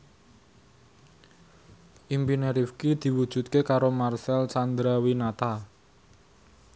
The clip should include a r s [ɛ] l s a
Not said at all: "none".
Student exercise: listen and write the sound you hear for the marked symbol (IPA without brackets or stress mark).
ɛ